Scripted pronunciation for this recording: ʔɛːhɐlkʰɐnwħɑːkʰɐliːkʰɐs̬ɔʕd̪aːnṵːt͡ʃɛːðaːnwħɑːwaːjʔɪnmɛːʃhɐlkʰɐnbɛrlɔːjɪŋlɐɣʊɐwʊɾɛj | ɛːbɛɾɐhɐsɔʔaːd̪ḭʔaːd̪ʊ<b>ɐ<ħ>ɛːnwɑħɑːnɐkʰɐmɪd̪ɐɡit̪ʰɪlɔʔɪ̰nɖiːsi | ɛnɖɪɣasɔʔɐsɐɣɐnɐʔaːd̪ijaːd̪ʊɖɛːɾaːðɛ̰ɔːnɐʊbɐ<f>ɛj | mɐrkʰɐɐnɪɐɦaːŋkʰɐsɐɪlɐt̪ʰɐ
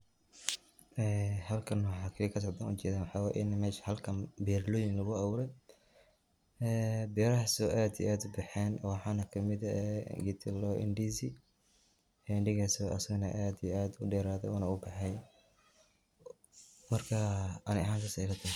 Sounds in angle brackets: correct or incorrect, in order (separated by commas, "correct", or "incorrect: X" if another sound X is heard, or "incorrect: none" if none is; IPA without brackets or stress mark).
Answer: correct, correct, incorrect: ħ